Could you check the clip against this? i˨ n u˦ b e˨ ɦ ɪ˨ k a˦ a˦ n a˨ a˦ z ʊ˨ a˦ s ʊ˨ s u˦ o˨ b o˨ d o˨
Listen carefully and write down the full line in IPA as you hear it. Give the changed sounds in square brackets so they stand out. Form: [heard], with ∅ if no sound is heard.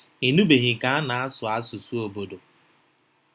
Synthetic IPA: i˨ n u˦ b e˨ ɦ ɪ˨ k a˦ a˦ n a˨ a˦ [s] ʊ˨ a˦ s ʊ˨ s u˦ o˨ b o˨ d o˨